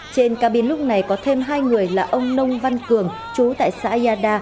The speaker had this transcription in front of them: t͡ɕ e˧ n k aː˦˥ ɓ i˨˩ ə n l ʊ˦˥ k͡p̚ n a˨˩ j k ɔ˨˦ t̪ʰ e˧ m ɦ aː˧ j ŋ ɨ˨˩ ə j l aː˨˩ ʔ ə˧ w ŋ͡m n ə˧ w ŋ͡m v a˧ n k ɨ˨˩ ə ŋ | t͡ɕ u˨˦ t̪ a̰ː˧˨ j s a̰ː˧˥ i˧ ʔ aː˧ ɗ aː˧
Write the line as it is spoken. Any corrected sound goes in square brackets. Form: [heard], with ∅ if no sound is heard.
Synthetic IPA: t͡ɕ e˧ n k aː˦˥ ɓ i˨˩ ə n l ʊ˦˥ k͡p̚ n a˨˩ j k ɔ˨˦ t̪ʰ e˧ m ɦ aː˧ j ŋ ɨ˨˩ ə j l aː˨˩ ʔ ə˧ w ŋ͡m n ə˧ w ŋ͡m v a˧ n k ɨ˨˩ ə ŋ | t͡ɕ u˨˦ t̪ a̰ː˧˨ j s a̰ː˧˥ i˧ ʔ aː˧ ɗ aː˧